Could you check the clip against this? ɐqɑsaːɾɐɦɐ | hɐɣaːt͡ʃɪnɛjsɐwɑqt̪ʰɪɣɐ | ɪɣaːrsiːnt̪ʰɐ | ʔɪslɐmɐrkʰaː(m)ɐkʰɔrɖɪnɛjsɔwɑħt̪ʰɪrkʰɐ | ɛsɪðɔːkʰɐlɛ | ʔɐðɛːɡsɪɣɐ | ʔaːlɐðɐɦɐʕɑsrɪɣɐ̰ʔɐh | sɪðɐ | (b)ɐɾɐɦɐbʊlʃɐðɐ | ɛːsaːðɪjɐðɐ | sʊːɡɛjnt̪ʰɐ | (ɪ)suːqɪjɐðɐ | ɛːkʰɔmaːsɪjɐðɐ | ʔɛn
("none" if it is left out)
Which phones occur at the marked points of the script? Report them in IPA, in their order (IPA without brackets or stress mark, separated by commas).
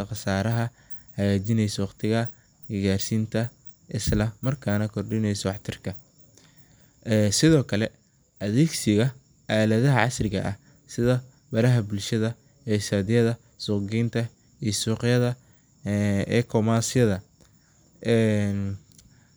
n, b, i